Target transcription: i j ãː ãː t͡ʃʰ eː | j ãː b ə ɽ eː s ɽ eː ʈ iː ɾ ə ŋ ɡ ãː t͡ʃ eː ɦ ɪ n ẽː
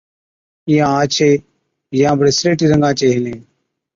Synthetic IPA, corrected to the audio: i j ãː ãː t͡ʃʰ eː | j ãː b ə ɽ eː s ɾ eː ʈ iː ɾ ə ŋ ɡ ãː t͡ʃ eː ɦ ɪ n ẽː

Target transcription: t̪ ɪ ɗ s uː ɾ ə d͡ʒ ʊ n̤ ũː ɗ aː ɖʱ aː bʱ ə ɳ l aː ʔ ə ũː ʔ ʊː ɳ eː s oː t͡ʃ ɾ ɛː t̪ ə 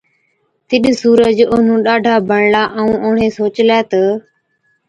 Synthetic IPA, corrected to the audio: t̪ ɪ ɗ s uː ɾ ə d͡ʒ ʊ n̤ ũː ɗ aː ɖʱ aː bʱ ə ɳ l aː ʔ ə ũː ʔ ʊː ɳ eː s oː t͡ʃ l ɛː t̪ ə

